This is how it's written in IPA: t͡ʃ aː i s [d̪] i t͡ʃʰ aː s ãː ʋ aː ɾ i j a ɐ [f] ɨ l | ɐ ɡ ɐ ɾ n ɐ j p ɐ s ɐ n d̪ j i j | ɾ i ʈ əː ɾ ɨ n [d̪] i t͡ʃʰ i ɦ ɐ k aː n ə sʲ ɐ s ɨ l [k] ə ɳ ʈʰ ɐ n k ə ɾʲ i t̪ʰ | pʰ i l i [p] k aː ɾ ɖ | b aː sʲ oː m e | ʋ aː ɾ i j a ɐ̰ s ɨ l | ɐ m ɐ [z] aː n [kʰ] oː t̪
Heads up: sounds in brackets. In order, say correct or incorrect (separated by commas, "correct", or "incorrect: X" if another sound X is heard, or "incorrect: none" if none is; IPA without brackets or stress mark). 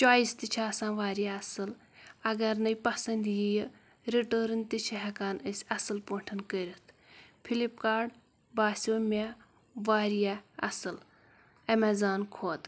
incorrect: t̪, incorrect: s, incorrect: t̪, incorrect: p, correct, correct, correct